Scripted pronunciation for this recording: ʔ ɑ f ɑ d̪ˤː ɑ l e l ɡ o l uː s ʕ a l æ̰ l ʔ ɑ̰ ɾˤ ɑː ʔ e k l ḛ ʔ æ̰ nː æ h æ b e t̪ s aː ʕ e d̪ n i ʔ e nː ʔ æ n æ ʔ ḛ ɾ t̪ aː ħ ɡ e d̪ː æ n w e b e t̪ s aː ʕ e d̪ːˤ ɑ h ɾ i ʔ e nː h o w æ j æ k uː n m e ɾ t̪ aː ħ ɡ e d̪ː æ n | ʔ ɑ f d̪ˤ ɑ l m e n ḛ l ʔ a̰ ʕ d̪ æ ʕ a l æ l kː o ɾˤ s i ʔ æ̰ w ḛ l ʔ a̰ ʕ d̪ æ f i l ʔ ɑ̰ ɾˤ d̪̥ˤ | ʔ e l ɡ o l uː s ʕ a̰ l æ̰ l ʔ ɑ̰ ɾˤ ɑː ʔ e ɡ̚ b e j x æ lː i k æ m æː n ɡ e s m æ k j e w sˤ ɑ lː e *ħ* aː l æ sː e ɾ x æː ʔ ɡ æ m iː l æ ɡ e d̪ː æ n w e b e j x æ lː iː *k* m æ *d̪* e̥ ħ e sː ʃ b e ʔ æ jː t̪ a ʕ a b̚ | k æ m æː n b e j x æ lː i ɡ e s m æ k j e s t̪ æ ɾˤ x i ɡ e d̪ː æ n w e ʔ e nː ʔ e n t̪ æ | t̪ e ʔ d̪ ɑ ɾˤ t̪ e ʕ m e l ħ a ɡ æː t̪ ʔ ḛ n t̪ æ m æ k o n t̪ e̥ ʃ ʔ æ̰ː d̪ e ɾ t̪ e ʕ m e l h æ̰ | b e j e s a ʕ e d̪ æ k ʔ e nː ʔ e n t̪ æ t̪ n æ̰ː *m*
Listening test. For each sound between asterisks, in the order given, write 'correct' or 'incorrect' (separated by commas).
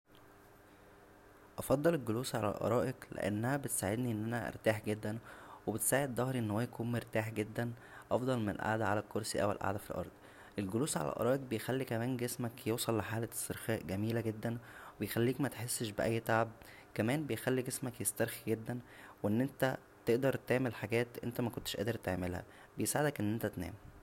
correct, correct, incorrect, correct